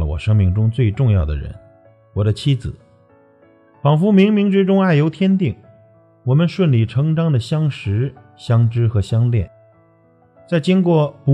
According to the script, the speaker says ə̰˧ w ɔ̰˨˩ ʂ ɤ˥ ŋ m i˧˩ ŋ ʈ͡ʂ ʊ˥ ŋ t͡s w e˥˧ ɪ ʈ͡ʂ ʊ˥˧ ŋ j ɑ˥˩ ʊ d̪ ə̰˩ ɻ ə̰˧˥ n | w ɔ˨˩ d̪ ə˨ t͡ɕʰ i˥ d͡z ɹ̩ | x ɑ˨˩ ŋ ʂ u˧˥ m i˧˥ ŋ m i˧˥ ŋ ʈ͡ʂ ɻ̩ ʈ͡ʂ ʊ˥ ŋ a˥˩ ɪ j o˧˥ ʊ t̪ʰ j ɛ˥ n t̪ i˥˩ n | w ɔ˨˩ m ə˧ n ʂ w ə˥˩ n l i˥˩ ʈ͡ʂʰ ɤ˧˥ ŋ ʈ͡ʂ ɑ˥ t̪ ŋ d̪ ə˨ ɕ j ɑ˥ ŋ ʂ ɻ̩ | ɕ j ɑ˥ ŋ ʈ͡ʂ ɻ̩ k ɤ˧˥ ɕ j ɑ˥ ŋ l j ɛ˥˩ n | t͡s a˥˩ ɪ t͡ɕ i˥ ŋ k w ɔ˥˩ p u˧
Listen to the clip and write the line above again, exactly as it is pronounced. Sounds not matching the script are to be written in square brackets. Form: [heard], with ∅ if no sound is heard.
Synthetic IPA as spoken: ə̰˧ w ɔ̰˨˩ ʂ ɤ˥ ŋ m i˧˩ ŋ ʈ͡ʂ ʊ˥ ŋ t͡s w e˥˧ ɪ ʈ͡ʂ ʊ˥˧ ŋ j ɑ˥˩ ʊ d̪ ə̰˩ ɻ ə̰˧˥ n | w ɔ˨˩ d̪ [ə˦] t͡ɕʰ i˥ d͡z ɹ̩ | [f] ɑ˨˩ ŋ [f] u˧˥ m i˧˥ ŋ m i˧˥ ŋ ʈ͡ʂ ɻ̩ ʈ͡ʂ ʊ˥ ŋ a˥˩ ɪ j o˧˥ ʊ t̪ʰ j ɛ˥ n t̪ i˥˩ [ŋ] | w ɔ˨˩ m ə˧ n ʂ w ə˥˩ n l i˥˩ ʈ͡ʂʰ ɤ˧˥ ŋ ʈ͡ʂ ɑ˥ [∅] ŋ d̪ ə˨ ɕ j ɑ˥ ŋ ʂ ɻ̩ | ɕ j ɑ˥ ŋ ʈ͡ʂ ɻ̩ [x] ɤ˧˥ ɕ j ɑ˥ ŋ l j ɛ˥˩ n | t͡s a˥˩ ɪ t͡ɕ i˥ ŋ k w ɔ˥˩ p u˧